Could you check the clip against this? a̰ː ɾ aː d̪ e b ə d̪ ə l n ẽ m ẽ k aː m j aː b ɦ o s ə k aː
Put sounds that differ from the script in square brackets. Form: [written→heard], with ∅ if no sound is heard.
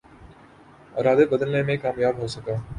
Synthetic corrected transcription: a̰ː ɾ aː d̪ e b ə d̪ ə l n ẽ m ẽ k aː m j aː b ɦ o s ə k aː